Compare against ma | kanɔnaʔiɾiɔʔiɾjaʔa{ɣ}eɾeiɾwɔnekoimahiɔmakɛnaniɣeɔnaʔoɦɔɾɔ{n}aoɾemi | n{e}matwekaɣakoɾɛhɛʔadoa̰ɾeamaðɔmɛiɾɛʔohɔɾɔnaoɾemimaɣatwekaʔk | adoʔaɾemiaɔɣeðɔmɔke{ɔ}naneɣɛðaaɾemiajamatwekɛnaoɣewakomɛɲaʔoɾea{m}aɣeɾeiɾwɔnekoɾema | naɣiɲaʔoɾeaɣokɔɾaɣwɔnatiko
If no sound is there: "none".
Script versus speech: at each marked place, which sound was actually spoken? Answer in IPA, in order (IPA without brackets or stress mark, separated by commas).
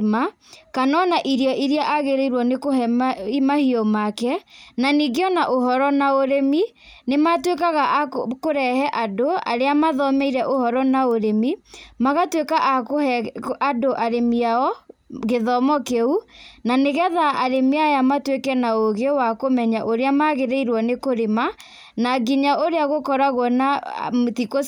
ɣ, n, e, u, m